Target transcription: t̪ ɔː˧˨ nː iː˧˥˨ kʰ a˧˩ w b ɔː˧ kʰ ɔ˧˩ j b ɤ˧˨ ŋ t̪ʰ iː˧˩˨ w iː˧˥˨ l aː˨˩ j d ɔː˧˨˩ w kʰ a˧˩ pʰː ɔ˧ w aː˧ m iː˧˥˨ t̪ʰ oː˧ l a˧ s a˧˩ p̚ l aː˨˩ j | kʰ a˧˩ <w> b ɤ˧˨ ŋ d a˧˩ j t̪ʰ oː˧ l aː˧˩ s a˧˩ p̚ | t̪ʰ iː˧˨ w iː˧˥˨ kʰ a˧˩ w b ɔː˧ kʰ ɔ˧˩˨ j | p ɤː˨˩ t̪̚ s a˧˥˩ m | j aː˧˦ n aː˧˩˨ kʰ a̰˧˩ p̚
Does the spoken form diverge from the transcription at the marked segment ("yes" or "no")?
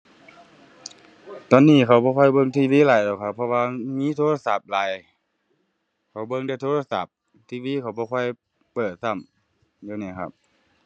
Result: no